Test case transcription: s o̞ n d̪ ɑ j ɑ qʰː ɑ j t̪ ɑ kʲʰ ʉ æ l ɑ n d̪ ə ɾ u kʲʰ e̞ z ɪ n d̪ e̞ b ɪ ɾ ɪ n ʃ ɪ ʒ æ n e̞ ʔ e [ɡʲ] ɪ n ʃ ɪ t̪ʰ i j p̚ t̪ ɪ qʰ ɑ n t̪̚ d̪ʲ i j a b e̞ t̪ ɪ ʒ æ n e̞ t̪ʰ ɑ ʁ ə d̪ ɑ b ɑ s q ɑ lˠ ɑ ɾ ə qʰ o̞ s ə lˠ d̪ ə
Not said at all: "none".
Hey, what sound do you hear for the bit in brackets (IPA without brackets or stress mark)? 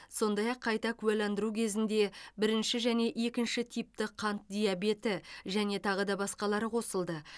kʲ